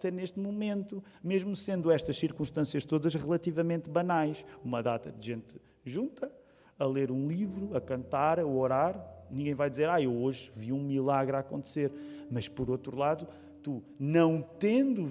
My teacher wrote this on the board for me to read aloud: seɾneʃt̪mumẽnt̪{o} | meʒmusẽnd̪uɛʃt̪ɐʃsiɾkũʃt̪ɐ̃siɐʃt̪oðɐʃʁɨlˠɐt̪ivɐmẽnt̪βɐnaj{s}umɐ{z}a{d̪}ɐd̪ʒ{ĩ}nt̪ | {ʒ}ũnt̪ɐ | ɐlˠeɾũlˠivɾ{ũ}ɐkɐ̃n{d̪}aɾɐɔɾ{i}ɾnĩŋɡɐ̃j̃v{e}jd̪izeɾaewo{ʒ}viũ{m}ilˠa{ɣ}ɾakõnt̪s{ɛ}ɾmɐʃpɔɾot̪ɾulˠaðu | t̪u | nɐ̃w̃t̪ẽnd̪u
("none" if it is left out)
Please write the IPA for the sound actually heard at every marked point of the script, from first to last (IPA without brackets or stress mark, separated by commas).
u, ʃ, ð, t̪, ẽ, ʒ, u, t̪, a, a, ʒ, m, ɣ, e